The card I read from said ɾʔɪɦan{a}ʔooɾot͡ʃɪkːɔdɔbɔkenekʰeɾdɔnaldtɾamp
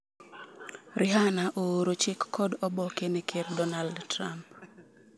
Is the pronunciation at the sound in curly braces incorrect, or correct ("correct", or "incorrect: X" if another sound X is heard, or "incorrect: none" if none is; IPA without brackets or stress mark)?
correct